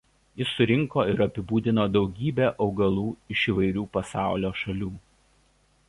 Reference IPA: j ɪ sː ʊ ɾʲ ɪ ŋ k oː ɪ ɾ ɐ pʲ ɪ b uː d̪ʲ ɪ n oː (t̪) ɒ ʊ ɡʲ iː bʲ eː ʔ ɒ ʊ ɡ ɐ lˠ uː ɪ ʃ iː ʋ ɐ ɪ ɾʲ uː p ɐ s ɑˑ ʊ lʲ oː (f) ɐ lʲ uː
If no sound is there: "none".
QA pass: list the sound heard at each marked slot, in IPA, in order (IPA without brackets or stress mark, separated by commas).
d̪, ʃ